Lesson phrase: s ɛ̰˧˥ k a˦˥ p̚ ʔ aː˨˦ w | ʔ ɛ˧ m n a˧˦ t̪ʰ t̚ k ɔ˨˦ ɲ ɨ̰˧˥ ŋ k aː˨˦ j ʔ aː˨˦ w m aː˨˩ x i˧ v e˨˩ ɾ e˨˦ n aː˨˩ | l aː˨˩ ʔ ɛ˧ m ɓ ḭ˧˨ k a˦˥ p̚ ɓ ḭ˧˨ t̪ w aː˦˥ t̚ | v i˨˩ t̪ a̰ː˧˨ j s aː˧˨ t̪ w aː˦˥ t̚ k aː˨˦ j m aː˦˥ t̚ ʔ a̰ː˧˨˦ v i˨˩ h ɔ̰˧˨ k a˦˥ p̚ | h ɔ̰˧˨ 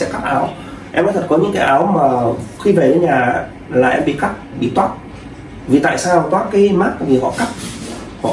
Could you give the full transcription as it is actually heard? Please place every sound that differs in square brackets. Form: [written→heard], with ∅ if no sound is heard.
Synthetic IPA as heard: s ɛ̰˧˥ k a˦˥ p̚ ʔ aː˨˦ w | ʔ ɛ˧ m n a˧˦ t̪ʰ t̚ k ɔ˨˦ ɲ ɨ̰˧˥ ŋ k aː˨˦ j ʔ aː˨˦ w m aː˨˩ x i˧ v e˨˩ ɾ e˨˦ [n→ɲ] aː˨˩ | l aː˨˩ ʔ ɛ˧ m ɓ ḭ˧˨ k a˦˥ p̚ ɓ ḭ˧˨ t̪ w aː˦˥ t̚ | v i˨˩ t̪ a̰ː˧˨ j s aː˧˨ t̪ w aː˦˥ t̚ k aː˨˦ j m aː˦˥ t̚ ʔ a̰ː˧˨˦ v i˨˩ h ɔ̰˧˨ k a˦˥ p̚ | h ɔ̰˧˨